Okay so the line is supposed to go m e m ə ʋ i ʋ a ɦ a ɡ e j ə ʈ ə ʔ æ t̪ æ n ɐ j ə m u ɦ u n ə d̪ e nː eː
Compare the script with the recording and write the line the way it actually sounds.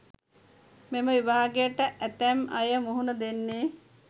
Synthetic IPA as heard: m e m ə ʋ i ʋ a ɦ a ɡ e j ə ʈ ə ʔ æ t̪ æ m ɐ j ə m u ɦ u n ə d̪ e nː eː